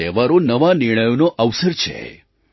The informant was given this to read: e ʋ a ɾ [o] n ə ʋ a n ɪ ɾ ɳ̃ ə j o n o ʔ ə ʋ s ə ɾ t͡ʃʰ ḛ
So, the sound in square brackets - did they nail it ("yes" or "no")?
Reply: yes